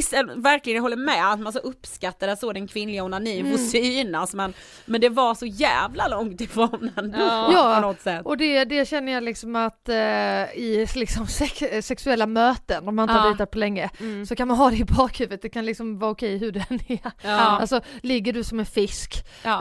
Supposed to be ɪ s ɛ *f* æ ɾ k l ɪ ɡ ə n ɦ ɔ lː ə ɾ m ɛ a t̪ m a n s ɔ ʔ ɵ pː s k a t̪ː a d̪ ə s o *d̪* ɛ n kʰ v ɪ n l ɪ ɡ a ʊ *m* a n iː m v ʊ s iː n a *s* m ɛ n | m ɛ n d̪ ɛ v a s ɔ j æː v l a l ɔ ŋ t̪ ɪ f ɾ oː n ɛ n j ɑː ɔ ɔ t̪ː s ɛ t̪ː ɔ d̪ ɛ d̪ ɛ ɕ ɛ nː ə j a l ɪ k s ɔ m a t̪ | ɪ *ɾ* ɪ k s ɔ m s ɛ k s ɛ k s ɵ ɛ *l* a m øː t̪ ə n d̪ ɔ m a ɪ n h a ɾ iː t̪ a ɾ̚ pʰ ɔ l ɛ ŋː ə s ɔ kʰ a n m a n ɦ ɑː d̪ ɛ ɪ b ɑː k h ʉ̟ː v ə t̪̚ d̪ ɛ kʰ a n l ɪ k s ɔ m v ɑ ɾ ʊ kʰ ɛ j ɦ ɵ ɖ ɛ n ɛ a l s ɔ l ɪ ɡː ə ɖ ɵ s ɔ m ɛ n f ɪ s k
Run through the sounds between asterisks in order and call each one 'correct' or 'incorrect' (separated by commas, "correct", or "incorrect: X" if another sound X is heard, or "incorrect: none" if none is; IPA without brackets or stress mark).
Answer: incorrect: v, correct, incorrect: n, correct, incorrect: l, incorrect: lː